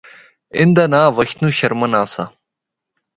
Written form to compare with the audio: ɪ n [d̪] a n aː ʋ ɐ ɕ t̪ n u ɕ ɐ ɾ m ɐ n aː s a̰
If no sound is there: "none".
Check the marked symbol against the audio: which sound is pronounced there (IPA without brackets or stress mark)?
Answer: d̪